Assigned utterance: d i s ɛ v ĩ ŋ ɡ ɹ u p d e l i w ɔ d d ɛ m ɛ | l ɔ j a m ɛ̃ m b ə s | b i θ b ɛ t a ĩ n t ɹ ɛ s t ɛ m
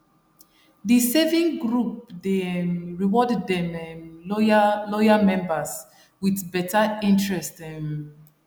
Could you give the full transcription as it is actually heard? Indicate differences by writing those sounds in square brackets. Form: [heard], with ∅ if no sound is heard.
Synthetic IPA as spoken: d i s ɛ v ĩ ŋ ɡ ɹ u p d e [ɹ] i w ɔ d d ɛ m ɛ | l ɔ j a m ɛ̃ m b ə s | [w] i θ b ɛ t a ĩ n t ɹ ɛ s t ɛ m